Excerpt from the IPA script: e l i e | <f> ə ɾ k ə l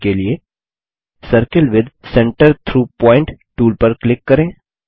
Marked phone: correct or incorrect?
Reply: incorrect